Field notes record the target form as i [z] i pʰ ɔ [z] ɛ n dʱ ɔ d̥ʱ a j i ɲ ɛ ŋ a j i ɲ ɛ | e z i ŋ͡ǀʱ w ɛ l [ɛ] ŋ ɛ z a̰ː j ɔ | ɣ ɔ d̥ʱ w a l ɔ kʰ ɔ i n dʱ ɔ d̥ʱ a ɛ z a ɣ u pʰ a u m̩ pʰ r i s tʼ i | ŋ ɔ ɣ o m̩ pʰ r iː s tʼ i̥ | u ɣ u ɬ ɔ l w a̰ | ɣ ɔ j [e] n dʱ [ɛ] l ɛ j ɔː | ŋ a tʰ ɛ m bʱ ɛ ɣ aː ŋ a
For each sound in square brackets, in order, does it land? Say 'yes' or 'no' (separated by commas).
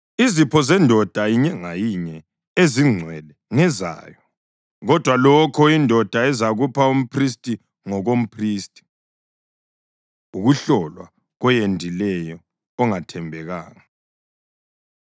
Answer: yes, yes, yes, yes, no